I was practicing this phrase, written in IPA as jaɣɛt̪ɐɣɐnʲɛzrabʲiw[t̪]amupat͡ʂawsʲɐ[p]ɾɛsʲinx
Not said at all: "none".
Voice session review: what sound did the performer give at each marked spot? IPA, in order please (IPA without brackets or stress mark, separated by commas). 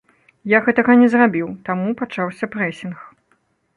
t̪, p